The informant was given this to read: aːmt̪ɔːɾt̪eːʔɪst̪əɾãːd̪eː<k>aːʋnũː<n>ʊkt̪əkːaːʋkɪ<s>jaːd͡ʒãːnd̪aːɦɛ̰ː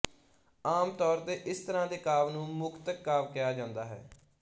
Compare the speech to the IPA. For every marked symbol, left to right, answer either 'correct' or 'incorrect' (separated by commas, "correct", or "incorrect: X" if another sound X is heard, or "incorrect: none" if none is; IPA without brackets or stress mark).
correct, incorrect: m, incorrect: none